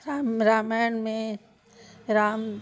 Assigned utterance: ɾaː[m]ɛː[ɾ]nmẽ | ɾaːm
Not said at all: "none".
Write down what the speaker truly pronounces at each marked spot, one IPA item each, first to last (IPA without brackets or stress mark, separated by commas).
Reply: m, none